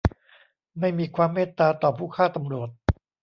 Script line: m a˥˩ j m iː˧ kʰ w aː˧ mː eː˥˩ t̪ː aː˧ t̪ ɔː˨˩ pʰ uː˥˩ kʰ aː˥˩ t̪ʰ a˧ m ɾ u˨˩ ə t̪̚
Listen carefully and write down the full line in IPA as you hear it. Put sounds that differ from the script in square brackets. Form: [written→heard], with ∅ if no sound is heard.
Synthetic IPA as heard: m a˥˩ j m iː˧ kʰ w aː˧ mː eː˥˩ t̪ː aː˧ t̪ ɔː˨˩ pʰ uː˥˩ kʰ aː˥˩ [t̪ʰ→t̪] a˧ m ɾ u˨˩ ə t̪̚